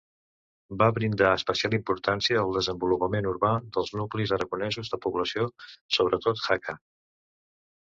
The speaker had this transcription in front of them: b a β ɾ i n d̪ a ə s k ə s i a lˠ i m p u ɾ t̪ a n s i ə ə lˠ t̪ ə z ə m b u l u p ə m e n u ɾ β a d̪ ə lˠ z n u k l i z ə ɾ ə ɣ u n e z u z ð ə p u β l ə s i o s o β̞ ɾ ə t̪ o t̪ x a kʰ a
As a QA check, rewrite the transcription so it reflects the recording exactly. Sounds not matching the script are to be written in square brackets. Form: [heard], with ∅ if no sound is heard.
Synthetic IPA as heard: b a β ɾ i n d̪ a ə s [p] ə s i a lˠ i m p u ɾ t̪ a n s i ə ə lˠ [d̪] ə z ə m b u l u p ə m e n u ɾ β a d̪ ə lˠ z n u k l i z ə ɾ ə ɣ u n [ɛ] z u z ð ə p u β l ə s i o s o β̞ ɾ ə t̪ o t̪ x a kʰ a

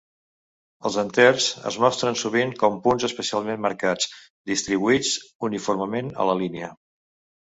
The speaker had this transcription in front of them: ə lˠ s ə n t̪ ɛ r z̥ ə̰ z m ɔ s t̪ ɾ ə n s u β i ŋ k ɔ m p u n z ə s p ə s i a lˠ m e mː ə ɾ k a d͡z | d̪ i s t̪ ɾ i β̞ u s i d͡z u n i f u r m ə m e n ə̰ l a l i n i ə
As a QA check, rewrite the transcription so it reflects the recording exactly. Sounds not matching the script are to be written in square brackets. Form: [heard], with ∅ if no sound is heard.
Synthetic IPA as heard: ə lˠ [z] ə n t̪ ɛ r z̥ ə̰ z m ɔ s t̪ ɾ ə n s u β i ŋ k ɔ m p u n z ə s p ə s i a lˠ m e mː ə ɾ k a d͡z | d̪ i s t̪ ɾ i β̞ u [∅] i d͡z u n i f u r m ə m e n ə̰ l [ə] l i n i ə

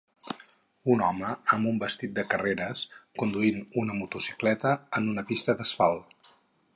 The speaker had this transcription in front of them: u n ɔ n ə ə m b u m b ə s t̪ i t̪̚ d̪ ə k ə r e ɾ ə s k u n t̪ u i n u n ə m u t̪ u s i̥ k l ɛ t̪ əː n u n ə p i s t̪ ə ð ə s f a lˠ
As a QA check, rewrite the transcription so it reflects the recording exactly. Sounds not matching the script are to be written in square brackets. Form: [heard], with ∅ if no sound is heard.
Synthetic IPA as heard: u n ɔ [m] ə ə m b u m b ə s t̪ i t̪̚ d̪ ə k ə r e ɾ ə s k u n [d̪] u i n u n ə m u t̪ u s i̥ k l ɛ t̪ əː n u n ə p i s t̪ ə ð ə s f a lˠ

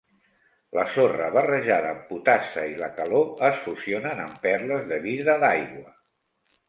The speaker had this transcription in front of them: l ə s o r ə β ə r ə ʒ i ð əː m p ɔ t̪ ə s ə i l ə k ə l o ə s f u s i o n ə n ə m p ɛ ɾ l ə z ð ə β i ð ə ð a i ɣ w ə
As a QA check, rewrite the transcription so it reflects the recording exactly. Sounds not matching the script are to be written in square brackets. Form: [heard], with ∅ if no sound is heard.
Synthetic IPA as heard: l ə s o r ə β ə r ə ʒ [a] ð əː m p [u] t̪ [a] s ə i l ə k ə l o ə s f u s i o n ə n ə m p ɛ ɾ l ə z ð ə β i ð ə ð a [j] ɣ w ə

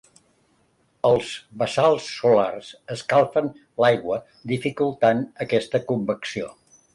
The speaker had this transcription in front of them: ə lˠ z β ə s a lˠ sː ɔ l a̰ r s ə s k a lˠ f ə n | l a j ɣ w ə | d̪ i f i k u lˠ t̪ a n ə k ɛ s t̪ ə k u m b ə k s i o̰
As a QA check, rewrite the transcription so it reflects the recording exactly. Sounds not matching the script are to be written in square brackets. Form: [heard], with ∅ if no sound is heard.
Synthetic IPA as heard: ə lˠ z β ə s a lˠ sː [u] l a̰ r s ə s k a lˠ f ə n | l a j ɣ w ə | d̪ i f i k u lˠ t̪ a n ə k ɛ s t̪ ə k u m b ə k s i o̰

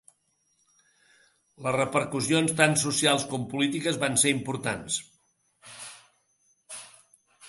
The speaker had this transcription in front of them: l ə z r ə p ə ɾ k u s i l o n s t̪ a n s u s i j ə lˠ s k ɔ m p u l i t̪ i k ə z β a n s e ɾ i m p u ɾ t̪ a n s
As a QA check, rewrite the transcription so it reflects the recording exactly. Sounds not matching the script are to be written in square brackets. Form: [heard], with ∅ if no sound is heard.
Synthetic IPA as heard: l ə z r ə p ə ɾ k u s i [∅] o n s t̪ a n s u s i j [a] lˠ s k ɔ m p u l i t̪ i k ə z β a n s e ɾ i m p u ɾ t̪ a n s

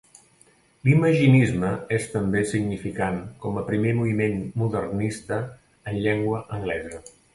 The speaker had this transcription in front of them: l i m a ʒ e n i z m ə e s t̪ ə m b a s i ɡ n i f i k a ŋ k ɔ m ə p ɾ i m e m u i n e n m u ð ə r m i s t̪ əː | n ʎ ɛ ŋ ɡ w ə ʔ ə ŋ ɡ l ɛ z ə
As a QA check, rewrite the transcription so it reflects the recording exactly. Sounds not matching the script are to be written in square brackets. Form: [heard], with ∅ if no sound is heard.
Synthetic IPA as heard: l i m [ə] ʒ [i] n i z m ə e s t̪ ə m b [e] s i ɡ n i f i k a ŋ k ɔ m ə p ɾ i m e m u i [m] e n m u ð ə r [n] i s t̪ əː | n ʎ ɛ ŋ ɡ w ə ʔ ə ŋ ɡ l ɛ z ə

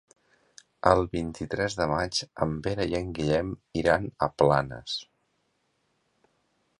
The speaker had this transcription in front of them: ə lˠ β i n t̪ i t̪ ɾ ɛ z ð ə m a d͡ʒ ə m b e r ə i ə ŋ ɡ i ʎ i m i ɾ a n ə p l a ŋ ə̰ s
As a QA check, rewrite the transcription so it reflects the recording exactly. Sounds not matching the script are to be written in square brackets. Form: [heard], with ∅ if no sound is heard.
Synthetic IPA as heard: ə lˠ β i n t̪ i t̪ ɾ ɛ z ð ə m a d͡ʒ ə m b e [ɾ] ə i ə ŋ ɡ i ʎ [ɛ] m i ɾ a n ə p l a [n] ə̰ s

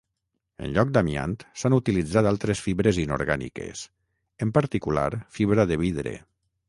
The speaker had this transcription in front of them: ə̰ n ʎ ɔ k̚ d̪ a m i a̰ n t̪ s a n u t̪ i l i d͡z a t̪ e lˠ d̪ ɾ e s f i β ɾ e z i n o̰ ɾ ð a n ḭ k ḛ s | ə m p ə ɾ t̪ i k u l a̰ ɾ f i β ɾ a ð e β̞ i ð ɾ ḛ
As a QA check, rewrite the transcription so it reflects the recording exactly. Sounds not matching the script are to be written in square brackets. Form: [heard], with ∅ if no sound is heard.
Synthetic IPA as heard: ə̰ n ʎ ɔ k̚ d̪ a m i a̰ n t̪ s a n u t̪ i l i d͡z a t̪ [a] lˠ [t̪] ɾ e s f i β ɾ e z i n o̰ ɾ [ɣ] a n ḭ k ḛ s | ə m p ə ɾ t̪ i k u l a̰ ɾ f i β ɾ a ð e β̞ i ð ɾ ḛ

